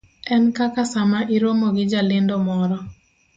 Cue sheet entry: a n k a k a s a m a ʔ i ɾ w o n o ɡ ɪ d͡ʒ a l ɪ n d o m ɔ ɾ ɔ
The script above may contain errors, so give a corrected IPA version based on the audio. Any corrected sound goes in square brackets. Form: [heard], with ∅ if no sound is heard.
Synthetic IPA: [ɛ] n k a k a s a m a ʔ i ɾ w o [m] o ɡ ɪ d͡ʒ a l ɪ n d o m ɔ ɾ ɔ